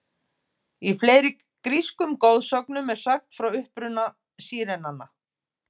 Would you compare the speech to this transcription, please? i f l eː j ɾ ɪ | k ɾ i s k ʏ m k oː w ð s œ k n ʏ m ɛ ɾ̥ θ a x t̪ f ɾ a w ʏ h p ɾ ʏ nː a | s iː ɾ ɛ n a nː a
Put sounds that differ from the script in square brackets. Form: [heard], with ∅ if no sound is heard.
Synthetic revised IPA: i f l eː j ɾ ɪ | k ɾ i s k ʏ m k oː w ð s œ k n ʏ m ɛ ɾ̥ [s] a x t̪ f ɾ a w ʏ h p ɾ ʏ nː a | s iː ɾ ɛ n a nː a